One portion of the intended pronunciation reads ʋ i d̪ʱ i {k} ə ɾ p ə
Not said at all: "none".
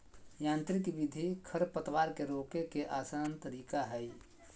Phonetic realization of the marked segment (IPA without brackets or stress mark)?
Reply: kʰ